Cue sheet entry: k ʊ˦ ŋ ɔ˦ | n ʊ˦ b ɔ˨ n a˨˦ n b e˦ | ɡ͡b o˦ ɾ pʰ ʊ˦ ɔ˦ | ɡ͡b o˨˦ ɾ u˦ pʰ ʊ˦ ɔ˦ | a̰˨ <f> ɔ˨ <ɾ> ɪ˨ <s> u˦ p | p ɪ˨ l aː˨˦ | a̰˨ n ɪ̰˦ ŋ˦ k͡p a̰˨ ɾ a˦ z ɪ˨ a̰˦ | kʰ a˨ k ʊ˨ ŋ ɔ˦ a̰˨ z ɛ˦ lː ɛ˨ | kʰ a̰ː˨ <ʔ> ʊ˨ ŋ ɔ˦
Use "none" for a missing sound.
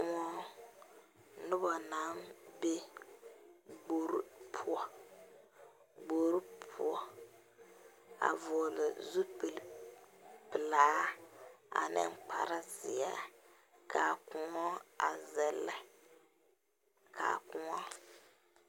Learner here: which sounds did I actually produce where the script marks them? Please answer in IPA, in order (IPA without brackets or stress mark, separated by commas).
v, l, z, k